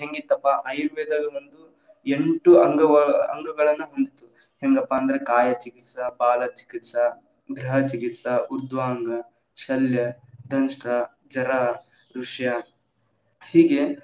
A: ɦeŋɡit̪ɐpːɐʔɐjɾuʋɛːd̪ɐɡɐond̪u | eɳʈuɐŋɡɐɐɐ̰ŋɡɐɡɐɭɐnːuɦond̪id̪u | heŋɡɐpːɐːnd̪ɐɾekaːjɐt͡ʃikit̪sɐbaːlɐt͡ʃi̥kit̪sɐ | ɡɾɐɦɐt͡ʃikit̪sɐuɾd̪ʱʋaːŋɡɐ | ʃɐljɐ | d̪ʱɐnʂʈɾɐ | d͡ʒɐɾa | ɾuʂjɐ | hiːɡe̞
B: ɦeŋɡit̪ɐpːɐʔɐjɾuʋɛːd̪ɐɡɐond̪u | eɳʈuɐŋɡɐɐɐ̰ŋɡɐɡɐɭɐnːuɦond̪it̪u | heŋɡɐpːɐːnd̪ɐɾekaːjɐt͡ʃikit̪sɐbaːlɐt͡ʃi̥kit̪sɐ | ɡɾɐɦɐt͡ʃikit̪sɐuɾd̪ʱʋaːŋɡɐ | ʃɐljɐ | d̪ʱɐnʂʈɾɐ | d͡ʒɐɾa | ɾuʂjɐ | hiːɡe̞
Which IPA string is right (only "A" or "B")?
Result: B